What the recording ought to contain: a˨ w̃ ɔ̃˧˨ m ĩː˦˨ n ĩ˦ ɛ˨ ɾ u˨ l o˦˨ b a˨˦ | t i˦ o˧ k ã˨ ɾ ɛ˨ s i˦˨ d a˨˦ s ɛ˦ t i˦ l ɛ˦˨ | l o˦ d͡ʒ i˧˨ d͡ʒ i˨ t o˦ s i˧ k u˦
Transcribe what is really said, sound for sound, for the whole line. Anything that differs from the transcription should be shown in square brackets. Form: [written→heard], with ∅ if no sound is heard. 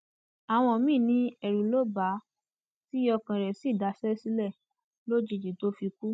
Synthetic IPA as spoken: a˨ w̃ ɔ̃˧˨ m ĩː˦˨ n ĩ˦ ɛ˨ ɾ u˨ l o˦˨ b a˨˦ | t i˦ [o˧→ɔ˧] k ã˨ ɾ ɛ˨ s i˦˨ d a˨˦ s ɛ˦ [t→s] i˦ l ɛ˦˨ | l o˦ d͡ʒ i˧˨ d͡ʒ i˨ t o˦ [s→f] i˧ k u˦